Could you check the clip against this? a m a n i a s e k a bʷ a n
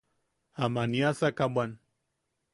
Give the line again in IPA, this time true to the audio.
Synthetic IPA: a m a n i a s a k a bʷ a n